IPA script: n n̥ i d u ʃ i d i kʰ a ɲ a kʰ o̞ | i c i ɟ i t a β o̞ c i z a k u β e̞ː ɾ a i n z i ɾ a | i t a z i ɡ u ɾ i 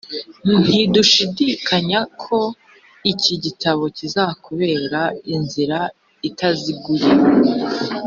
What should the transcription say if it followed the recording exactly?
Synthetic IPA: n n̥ i d u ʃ i d i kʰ a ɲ a kʰ o̞ | i c i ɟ i t a β o̞ c i z a k u β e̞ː ɾ a i n z i ɾ a | i t a z i ɡ u ɾ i